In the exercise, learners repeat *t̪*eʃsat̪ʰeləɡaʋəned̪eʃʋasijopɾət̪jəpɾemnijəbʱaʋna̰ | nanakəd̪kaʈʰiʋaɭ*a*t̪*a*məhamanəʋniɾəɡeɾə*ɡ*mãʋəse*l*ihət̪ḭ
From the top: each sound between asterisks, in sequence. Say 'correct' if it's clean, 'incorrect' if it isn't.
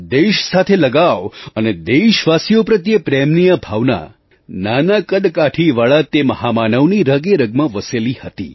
incorrect: d̪, correct, incorrect: e, correct, correct

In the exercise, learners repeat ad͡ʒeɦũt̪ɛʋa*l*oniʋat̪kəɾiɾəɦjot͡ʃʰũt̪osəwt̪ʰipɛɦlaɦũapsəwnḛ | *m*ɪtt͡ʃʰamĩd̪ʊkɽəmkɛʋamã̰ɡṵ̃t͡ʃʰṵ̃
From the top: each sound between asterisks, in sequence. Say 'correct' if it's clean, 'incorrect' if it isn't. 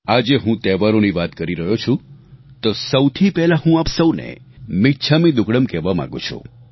incorrect: ɾ, correct

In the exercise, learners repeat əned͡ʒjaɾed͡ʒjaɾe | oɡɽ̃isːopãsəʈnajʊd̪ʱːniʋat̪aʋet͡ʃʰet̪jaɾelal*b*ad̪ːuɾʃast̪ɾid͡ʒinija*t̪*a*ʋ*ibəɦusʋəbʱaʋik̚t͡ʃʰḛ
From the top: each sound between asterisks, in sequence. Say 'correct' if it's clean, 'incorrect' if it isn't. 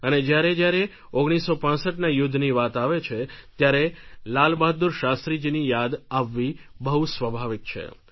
correct, incorrect: d̪, incorrect: ʋː

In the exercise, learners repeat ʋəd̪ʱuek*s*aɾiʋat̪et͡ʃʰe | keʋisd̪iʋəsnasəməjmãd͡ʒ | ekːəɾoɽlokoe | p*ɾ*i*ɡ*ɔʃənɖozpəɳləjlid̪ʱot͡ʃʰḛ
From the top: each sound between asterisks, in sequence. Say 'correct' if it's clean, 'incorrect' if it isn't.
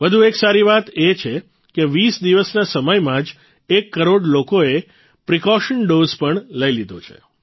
correct, correct, incorrect: k

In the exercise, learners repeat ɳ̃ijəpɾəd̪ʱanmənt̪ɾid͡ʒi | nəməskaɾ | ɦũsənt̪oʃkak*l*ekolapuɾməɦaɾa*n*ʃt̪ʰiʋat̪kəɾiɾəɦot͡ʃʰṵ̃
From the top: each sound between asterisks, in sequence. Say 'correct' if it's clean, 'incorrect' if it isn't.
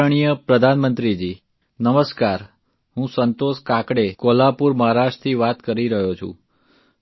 incorrect: ɽ, incorrect: none

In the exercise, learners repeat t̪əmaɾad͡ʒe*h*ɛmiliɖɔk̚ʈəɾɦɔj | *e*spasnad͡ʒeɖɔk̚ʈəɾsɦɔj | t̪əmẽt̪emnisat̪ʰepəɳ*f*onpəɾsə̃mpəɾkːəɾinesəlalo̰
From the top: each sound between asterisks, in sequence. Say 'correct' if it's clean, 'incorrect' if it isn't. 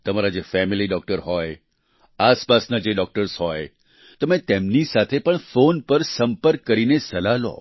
incorrect: f, incorrect: a, correct

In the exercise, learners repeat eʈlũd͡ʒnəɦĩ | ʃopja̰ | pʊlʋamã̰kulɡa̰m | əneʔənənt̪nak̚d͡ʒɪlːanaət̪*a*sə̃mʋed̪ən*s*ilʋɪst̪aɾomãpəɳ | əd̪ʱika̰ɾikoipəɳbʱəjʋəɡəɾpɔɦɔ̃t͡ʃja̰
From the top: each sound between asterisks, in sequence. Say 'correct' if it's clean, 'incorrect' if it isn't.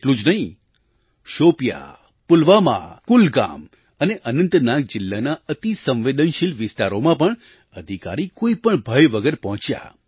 incorrect: i, incorrect: ʃ

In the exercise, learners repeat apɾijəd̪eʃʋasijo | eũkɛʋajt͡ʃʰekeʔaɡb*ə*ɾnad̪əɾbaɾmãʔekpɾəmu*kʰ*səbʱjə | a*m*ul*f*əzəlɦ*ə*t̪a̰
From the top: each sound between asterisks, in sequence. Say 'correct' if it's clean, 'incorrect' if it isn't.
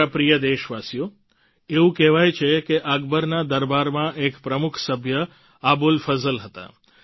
correct, correct, incorrect: b, correct, correct

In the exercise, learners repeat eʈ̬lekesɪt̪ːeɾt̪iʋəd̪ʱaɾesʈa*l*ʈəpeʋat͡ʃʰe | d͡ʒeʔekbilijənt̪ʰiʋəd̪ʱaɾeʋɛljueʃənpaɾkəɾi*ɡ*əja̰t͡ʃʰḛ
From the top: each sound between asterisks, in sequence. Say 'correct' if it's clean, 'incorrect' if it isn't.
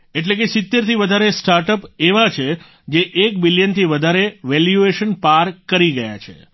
incorrect: ɾ, correct

